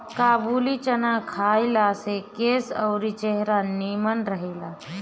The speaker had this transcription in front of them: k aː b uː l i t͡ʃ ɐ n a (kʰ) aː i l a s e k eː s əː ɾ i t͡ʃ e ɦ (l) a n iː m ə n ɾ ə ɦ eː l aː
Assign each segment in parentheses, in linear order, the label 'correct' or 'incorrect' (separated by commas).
correct, incorrect